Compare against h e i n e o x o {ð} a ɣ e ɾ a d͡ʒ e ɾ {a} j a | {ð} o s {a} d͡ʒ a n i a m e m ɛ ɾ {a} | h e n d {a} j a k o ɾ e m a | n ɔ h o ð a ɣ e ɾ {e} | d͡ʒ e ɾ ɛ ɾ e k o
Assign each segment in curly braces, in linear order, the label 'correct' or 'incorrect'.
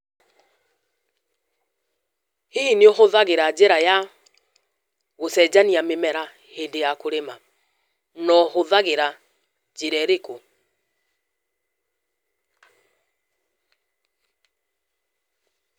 correct, correct, incorrect: ɣ, incorrect: ɛ, correct, incorrect: e, incorrect: a

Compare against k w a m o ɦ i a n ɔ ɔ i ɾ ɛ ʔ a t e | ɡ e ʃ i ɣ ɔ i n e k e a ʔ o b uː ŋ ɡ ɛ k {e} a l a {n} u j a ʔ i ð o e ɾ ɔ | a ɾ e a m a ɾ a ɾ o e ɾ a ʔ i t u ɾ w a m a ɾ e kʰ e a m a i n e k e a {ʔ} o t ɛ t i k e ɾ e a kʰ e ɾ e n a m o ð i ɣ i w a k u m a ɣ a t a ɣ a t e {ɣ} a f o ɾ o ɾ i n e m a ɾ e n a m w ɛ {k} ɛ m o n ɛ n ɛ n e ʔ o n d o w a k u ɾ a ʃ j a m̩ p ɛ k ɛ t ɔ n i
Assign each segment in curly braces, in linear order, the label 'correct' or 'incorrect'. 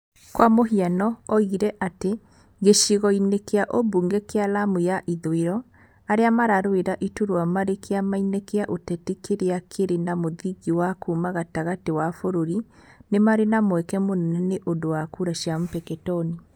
correct, incorrect: m, correct, incorrect: w, correct

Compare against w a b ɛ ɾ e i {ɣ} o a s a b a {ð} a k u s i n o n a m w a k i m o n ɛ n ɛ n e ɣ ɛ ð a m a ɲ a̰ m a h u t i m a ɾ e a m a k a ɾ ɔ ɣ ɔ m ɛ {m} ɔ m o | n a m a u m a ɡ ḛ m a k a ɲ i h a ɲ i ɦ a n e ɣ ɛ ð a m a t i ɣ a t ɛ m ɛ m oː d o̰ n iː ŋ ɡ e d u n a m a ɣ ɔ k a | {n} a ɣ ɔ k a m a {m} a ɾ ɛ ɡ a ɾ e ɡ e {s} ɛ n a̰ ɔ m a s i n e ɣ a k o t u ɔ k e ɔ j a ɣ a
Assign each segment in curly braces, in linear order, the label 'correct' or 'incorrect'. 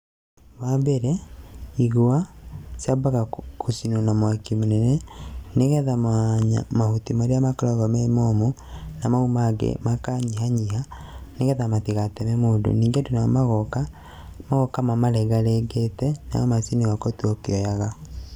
correct, incorrect: ɣ, correct, incorrect: m, correct, incorrect: t

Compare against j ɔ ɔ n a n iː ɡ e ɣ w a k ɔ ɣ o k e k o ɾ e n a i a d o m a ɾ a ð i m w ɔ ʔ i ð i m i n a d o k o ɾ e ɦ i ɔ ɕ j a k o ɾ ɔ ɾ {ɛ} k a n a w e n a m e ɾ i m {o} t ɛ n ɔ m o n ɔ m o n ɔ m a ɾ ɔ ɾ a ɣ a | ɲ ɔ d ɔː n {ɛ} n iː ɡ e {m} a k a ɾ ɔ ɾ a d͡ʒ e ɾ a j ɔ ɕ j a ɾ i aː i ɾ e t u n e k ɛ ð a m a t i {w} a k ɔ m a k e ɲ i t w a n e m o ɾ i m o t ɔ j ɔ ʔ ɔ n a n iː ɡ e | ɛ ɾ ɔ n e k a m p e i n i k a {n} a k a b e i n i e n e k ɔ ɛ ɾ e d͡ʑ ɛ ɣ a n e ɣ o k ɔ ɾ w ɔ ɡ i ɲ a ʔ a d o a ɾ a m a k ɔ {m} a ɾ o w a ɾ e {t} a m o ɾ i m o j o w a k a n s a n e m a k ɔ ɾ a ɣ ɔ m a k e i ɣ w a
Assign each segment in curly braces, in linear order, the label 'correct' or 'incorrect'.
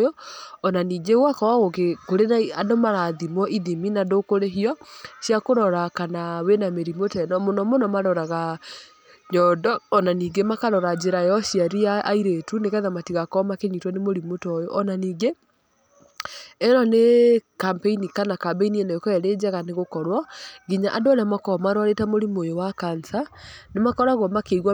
incorrect: a, correct, incorrect: a, correct, incorrect: ɣ, correct, correct, correct

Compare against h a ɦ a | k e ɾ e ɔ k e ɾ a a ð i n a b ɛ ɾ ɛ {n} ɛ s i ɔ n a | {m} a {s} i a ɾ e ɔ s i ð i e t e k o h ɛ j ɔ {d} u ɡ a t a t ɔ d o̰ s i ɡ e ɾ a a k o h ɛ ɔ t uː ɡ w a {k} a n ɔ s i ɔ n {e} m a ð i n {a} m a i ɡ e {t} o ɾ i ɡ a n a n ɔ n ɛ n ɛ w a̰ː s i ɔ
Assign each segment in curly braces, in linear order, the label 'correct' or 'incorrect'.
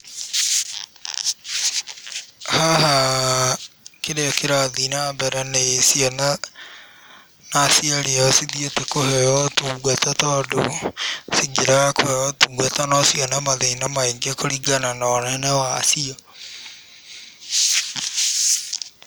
correct, incorrect: n, correct, incorrect: t, incorrect: t, incorrect: a, correct, incorrect: k

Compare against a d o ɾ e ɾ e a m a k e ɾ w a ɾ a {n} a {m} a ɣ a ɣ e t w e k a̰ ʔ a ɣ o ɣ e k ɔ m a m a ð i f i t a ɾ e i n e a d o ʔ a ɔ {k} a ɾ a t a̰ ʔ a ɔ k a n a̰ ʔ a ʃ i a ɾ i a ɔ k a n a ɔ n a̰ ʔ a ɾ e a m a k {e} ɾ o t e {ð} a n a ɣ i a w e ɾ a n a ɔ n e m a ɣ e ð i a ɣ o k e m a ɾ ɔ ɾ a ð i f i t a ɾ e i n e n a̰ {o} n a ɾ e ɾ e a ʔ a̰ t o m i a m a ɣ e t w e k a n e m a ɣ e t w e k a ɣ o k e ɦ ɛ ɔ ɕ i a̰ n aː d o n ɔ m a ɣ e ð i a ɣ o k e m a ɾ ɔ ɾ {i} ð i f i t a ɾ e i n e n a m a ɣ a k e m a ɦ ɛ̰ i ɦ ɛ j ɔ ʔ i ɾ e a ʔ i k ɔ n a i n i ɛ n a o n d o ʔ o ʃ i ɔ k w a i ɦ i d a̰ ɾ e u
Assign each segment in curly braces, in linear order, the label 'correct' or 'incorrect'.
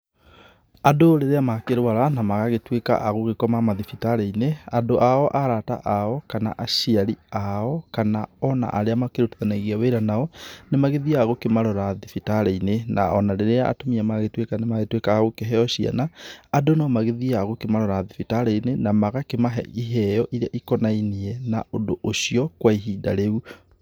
correct, correct, incorrect: ʔ, correct, correct, incorrect: ɔ, incorrect: a

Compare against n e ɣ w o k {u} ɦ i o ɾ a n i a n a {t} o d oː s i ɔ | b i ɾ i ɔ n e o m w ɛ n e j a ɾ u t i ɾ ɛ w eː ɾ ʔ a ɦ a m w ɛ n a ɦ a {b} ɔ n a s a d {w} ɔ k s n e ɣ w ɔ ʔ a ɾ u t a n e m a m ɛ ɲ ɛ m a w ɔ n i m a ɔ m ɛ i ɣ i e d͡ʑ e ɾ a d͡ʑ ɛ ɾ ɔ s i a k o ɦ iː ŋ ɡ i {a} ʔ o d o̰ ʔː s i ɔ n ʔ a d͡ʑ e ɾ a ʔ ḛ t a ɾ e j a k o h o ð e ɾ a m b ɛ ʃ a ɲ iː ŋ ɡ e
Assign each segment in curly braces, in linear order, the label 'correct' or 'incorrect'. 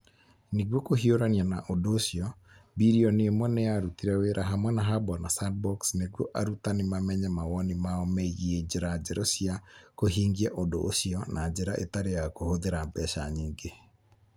incorrect: o, incorrect: ʔ, correct, incorrect: b, incorrect: ɛ

